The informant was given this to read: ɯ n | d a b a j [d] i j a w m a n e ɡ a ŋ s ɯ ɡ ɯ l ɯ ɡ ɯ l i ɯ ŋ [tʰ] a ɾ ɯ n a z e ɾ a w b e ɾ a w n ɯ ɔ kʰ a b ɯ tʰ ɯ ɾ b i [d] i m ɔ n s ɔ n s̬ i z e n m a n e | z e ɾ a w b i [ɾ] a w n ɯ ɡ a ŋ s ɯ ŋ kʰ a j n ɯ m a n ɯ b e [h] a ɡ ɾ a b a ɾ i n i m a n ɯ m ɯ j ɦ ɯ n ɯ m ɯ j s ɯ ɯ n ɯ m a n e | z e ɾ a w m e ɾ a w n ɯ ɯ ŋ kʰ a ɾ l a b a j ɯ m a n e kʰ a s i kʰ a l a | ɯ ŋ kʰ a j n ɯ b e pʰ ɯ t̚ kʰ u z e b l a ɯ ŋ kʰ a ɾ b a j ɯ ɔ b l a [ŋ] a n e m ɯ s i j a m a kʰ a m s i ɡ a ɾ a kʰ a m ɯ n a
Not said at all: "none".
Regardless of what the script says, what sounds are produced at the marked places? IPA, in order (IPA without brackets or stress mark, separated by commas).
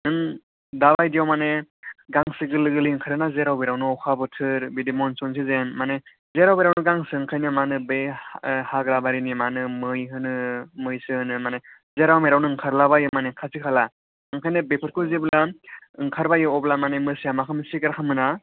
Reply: d, kʰ, d, ɾ, h, m